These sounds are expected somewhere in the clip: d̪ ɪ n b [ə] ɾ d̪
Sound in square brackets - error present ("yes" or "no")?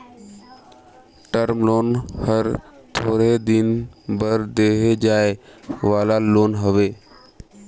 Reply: no